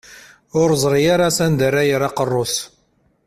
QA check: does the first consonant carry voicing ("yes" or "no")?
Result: yes